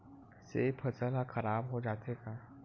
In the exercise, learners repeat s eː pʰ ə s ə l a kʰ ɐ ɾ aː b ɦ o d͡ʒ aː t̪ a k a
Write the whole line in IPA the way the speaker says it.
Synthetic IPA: s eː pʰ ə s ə l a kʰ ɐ ɾ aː b ɦ o d͡ʒ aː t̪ e k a